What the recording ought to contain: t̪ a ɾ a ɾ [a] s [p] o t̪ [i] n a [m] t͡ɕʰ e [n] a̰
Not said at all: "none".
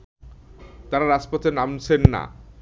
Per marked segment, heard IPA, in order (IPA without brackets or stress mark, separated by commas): a, p, e, m, nː